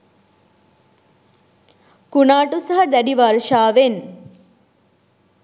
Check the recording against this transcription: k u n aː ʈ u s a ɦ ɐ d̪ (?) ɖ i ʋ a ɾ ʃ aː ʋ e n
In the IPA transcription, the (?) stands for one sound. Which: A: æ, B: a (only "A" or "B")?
A